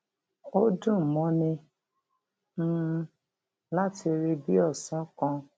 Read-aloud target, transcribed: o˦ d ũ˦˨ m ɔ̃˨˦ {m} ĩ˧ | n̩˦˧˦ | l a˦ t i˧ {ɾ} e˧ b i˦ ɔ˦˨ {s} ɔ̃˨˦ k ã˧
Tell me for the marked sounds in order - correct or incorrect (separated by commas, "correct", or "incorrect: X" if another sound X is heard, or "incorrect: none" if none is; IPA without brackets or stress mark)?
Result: incorrect: n, correct, correct